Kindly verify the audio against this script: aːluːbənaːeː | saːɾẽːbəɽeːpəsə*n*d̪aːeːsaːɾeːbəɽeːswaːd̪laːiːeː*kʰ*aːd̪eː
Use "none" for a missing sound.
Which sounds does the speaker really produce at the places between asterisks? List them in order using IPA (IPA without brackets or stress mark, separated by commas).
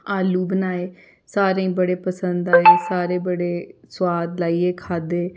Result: n, kʰ